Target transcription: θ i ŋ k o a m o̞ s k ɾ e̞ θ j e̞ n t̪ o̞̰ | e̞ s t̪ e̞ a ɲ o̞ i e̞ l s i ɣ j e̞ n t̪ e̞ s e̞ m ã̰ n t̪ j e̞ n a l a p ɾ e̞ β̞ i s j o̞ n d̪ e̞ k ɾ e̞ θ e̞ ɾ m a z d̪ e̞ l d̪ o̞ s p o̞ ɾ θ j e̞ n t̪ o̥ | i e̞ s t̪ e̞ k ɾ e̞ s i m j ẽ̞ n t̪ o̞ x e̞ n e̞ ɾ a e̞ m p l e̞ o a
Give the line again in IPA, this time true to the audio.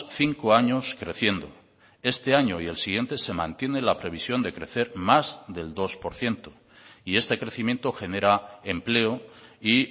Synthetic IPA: θ i ŋ k o a ɲ o̞ s k ɾ e̞ θ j e̞ n d̪ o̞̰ | e̞ s t̪ e̞ a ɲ o̞ i e̞ l s i ɣ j e̞ n t̪ e̞ s e̞ m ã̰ n t̪ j e̞ n e l a p ɾ e̞ β̞ i s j o̞ n d̪ e̞ k ɾ e̞ θ e̞ ɾ m a z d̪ e̞ l d̪ o̞ s p o̞ ɾ θ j e̞ n t̪ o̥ | i e̞ s t̪ e̞ k ɾ e̞ θ i m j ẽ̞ n t̪ o̞ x e̞ n e̞ ɾ a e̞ m p l e̞ o i